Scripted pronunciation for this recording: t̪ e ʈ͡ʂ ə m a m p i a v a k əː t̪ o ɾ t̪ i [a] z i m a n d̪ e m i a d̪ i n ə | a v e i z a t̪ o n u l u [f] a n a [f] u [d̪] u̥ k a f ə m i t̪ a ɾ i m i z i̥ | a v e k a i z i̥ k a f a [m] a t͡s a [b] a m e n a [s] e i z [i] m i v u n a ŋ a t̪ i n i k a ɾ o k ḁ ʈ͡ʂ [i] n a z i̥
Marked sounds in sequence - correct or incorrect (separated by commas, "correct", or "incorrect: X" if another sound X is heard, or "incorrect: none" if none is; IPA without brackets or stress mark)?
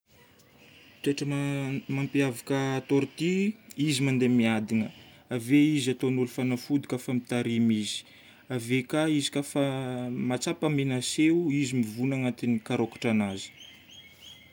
incorrect: i, correct, correct, correct, correct, incorrect: p, correct, correct, incorrect: a